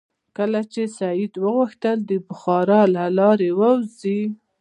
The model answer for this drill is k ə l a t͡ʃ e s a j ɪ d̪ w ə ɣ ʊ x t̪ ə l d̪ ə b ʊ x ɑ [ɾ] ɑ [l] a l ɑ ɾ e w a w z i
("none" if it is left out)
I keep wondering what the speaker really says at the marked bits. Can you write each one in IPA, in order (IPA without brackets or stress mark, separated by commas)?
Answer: ɾ, l